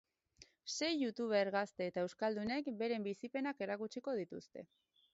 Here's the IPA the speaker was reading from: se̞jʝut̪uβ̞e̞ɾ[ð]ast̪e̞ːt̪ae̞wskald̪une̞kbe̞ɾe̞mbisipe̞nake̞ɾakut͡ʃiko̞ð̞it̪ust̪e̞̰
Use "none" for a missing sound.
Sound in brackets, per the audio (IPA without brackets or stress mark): ɣ